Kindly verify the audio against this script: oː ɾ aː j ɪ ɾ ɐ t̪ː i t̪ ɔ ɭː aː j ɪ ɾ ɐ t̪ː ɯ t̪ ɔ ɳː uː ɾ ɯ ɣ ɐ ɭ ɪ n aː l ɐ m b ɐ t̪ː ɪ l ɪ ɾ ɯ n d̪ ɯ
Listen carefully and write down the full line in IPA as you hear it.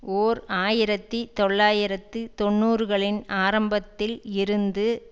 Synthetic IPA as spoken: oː ɾ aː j ɪ ɾ ɐ t̪ː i t̪ ɔ ɭː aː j ɪ ɾ ɐ t̪ː ɯ t̪ ɔ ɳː uː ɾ ɯ ɣ ɐ ɭ ɪ n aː ɾ ɐ m b ɐ t̪ː ɪ l ɪ ɾ ɯ n d̪ ɯ

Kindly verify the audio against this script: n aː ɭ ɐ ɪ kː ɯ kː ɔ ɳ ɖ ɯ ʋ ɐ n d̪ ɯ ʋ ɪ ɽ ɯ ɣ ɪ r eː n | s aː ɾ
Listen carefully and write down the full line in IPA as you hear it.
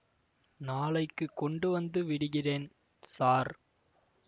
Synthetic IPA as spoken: n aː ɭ ɐ ɪ kː ɯ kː ɔ ɳ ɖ ɯ ʋ ɐ n d̪ ɯ ʋ ɪ ɽ ɯ ɣ ɪ r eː n | s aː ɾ

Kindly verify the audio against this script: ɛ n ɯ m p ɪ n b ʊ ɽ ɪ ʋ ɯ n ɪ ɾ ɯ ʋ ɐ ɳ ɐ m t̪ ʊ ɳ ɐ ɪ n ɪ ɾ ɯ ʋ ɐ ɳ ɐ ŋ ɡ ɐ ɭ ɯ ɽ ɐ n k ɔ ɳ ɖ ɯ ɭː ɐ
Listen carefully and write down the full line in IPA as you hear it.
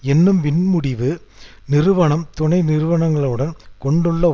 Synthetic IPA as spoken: ɛ nː ɯ m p ɪ n m ʊ ɽ ɪ ʋ ɯ n ɪ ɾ ɯ ʋ ɐ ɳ ɐ m t̪ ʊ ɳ ɐ ɪ n ɪ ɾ ɯ ʋ ɐ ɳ ɐ ŋ ɡ ɐ ɭ ɯ ɽ ɐ n k ɔ ɳ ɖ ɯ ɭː ɐ

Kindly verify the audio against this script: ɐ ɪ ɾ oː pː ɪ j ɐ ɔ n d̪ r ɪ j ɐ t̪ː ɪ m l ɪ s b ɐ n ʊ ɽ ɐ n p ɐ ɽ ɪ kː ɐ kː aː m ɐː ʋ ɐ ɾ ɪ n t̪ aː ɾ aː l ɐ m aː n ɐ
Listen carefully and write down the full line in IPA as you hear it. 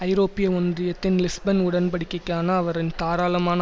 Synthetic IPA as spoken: ɐ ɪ ɾ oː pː ɪ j ɐ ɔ n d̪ r ɪ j ɐ t̪ː ɪ n l ɪ s b ɐ n ʊ ɽ ɐ n p ɐ ɽ ɪ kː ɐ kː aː n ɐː ʋ ɐ ɾ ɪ n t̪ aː ɾ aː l ɐ m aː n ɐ

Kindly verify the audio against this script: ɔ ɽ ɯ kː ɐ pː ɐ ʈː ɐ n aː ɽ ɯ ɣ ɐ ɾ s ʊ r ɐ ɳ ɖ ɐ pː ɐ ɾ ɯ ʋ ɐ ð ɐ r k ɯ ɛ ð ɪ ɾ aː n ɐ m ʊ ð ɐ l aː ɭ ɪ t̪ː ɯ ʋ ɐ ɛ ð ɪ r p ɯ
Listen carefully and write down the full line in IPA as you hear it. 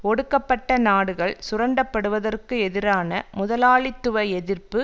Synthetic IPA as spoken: ɔ ɽ ɯ kː ɐ pː ɐ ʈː ɐ n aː ɽ ɯ ɣ ɐ ɭ s ʊ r ɐ ɳ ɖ ɐ pː ɐ ɽ ɯ ʋ ɐ ð ɐ r k ɯ ɛ ð ɪ ɾ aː n ɐ m ʊ ð ɐ l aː ɭ ɪ t̪ː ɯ ʋ ɐ ɛ ð ɪ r p ɯ

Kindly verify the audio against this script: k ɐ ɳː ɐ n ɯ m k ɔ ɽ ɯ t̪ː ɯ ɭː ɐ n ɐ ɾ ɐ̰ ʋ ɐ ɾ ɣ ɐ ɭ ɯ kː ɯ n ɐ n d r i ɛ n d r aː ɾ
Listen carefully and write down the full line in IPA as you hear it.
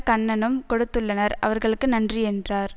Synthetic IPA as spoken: k ɐ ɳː ɐ n ɯ m k ɔ ɽ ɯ t̪ː ɯ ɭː ɐ n ɐ ɾ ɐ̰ ʋ ɐ ɾ ɣ ɐ ɭ ɯ kː ɯ n ɐ n d r i ɛ n d r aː ɾ

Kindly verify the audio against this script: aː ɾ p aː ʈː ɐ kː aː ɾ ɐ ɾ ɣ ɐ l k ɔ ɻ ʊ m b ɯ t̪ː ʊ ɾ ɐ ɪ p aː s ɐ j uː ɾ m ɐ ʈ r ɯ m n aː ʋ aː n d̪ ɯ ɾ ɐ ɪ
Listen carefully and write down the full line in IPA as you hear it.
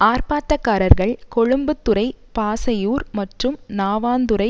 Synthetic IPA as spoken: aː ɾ p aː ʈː ɐ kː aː ɾ ɐ ɾ ɣ ɐ ɭ k ɔ ɻ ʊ m b ɯ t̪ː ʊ ɾ ɐ ɪ p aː s ɐ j uː ɾ m ɐ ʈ r ɯ m n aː ʋ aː n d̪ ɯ ɾ ɐ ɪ

